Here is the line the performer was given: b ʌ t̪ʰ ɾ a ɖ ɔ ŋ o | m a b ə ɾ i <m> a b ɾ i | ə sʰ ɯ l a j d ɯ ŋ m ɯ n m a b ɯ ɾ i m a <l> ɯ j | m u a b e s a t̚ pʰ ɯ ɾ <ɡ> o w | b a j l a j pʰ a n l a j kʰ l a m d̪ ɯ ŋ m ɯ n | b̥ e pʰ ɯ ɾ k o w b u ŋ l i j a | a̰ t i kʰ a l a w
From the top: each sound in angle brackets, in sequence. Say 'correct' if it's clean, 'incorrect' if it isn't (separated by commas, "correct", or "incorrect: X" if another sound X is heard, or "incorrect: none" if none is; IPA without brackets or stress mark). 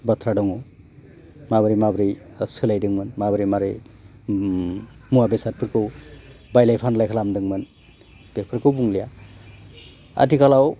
correct, incorrect: ɾ, incorrect: k